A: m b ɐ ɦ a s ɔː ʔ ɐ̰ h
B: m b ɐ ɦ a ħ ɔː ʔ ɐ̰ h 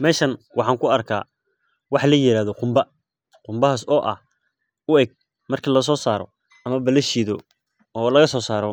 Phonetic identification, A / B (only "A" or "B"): A